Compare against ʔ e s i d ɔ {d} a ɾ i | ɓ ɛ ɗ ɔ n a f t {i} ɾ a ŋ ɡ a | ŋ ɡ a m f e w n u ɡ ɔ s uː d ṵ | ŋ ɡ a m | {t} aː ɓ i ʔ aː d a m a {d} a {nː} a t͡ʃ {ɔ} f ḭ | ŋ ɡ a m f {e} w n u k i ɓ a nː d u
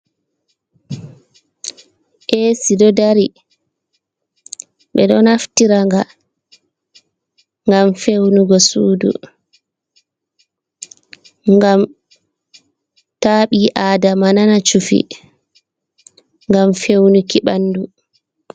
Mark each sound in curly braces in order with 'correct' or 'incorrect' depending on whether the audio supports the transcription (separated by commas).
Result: correct, correct, correct, incorrect, incorrect, incorrect, correct